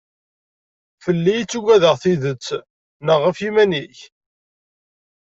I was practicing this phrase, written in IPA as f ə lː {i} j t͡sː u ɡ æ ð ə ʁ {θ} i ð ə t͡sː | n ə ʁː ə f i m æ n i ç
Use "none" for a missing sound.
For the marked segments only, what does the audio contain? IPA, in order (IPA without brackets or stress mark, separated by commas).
i, θ